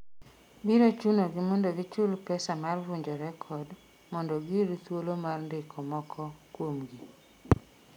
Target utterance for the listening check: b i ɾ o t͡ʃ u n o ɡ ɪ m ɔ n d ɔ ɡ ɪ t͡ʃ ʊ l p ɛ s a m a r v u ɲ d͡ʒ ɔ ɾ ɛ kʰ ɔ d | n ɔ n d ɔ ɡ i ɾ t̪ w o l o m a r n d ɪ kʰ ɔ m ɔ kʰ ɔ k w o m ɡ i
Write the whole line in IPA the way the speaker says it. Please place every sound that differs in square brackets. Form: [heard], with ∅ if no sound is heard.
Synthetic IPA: b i ɾ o t͡ʃ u n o ɡ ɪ m ɔ n d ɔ ɡ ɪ t͡ʃ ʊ l p ɛ s a m a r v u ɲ d͡ʒ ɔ ɾ ɛ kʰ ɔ d | [m] ɔ n d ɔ ɡ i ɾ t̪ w o l o m a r n d ɪ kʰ ɔ m ɔ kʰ ɔ k w o m ɡ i